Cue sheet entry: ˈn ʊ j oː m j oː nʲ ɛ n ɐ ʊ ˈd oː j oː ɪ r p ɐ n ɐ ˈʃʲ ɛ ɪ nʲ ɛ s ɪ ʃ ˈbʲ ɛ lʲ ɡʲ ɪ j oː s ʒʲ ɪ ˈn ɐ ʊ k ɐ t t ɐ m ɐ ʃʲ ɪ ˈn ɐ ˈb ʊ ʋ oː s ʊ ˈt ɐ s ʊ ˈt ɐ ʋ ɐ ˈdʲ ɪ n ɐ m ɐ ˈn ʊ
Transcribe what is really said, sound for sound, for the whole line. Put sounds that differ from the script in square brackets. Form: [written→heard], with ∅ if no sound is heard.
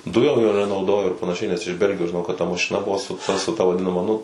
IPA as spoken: [ˈn→ˈd] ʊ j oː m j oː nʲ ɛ n ɐ ʊ ˈd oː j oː ɪ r p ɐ n ɐ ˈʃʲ ɛ ɪ nʲ ɛ s ɪ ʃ ˈbʲ ɛ lʲ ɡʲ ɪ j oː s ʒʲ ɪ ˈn ɐ ʊ k ɐ t t ɐ m ɐ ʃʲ ɪ ˈn ɐ ˈb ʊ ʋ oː s ʊ ˈt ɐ s ʊ ˈt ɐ ʋ ɐ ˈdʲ ɪ n ɐ m ɐ ˈn ʊ